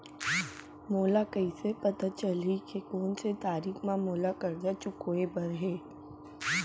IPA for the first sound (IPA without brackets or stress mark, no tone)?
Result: m